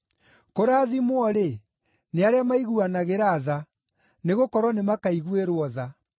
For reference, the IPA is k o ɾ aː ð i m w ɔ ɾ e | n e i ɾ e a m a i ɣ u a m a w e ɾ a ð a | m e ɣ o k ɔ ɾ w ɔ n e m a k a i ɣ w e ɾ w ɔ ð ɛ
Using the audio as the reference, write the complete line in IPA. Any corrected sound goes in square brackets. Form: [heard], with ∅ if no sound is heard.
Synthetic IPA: k o ɾ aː ð i m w ɔ ɾ e | n e [a] ɾ e a m a i ɣ u a [n] a [ɣ] e ɾ a ð a | [n] e ɣ o k ɔ ɾ w ɔ n e m a k a i ɣ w e ɾ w ɔ ð [a]